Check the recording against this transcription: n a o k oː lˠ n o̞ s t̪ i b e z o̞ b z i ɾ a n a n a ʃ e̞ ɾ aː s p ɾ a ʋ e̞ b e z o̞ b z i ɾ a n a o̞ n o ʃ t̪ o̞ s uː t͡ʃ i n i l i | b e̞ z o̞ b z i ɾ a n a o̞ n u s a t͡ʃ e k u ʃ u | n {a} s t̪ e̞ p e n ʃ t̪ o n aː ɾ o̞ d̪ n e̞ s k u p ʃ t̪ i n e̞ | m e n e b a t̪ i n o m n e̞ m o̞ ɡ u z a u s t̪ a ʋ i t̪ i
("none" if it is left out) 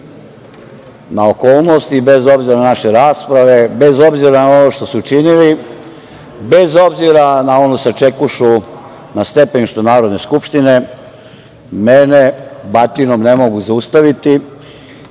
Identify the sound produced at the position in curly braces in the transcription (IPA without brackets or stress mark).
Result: a